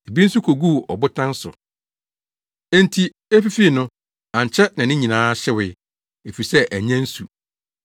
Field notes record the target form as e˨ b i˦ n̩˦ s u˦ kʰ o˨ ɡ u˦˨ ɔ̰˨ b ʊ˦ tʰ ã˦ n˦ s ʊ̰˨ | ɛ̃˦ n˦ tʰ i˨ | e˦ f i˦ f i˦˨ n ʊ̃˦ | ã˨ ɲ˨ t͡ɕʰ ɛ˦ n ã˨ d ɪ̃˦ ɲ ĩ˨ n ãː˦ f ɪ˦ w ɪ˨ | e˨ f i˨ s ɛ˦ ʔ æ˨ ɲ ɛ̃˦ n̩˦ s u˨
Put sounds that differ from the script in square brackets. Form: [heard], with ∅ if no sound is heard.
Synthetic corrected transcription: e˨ b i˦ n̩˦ s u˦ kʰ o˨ ɡ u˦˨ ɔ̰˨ b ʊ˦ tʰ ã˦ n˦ s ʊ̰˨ | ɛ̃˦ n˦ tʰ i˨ | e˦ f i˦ f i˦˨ n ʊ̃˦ | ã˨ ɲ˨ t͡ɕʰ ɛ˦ n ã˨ [n] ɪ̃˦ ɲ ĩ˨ n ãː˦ [ɕ] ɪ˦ w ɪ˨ | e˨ f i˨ s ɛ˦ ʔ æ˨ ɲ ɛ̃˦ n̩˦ s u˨